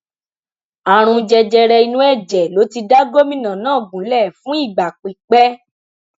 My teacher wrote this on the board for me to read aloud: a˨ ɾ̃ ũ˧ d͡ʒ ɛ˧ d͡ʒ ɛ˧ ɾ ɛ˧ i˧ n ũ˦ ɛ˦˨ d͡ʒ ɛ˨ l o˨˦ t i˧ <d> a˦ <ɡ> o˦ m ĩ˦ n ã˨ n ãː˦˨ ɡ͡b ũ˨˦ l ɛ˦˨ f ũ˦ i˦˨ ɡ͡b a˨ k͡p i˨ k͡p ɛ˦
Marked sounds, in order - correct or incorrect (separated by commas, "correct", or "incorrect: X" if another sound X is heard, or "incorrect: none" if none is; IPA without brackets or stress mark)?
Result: correct, correct